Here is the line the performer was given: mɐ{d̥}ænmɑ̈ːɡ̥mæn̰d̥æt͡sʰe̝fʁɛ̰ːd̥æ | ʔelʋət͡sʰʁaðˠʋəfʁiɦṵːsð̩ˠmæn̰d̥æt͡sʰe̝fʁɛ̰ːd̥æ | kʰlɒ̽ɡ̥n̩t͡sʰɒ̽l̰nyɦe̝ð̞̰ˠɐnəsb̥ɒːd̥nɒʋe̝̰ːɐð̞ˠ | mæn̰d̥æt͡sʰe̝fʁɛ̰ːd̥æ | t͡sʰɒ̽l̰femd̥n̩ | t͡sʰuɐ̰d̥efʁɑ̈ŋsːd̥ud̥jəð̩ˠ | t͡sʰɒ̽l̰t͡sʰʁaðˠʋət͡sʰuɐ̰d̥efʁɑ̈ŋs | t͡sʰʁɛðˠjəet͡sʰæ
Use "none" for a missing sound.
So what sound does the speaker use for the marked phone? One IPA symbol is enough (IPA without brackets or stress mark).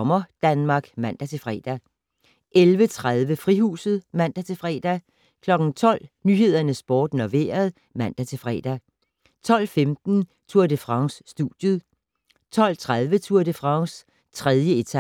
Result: d̥